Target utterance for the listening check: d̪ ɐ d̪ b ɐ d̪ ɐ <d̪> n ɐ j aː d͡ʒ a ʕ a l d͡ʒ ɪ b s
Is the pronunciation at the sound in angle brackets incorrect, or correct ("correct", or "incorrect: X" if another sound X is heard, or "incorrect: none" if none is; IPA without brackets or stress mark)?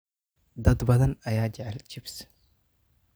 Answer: incorrect: none